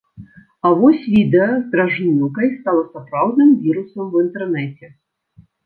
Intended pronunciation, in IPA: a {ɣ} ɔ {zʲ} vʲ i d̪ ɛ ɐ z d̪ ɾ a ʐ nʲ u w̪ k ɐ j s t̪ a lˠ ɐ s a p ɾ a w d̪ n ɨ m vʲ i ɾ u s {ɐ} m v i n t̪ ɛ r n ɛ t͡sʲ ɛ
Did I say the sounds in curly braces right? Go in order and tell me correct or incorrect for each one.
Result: incorrect, incorrect, correct

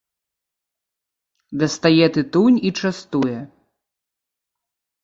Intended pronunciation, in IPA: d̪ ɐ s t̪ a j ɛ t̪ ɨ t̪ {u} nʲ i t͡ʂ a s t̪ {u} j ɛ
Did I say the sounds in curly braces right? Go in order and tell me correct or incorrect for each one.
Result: correct, correct

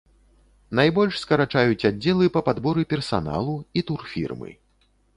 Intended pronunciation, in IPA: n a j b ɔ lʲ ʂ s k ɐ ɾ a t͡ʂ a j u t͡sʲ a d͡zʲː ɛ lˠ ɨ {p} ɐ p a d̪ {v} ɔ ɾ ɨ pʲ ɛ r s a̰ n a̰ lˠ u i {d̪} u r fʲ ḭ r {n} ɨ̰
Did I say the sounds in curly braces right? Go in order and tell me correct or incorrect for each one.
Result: correct, incorrect, incorrect, incorrect

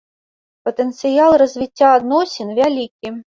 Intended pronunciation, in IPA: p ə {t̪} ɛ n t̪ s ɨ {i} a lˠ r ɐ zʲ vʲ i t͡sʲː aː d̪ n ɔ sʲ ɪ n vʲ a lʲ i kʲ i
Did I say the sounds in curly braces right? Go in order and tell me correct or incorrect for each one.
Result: correct, incorrect

